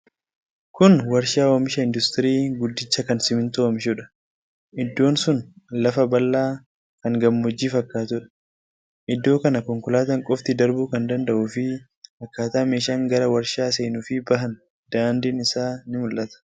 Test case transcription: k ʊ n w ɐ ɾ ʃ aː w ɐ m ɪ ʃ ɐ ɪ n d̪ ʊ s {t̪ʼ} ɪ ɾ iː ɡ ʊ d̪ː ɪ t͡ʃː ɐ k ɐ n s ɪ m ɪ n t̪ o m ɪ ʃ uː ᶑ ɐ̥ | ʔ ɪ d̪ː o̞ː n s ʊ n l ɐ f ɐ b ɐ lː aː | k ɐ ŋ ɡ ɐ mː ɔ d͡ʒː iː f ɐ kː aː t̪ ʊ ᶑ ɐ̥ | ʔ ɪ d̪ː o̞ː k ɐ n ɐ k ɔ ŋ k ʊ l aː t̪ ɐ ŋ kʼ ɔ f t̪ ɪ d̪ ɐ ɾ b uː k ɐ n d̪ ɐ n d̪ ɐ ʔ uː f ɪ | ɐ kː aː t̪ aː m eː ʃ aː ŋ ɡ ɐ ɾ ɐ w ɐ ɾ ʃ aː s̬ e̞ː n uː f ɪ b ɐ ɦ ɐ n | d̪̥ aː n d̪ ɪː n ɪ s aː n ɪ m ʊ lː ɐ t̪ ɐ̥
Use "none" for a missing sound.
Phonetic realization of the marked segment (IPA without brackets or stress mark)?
t̪